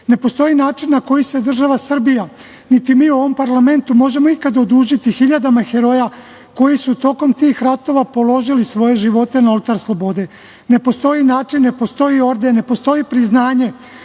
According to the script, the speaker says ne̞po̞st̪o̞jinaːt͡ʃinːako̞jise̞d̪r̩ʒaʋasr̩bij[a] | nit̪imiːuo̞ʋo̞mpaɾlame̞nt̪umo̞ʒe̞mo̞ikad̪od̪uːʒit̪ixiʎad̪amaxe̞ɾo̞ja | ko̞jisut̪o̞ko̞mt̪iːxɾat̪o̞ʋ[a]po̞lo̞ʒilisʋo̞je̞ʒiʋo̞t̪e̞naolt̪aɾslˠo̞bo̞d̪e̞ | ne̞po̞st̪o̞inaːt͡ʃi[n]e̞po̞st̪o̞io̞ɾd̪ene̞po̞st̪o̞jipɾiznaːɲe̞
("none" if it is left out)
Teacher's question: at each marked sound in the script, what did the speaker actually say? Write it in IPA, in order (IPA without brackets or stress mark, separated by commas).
a, a, nː